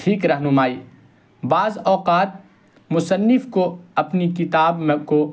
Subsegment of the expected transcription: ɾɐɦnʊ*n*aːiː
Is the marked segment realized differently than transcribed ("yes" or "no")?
yes